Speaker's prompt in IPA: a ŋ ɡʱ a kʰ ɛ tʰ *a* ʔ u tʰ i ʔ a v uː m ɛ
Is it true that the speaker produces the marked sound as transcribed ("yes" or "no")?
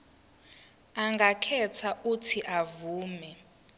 yes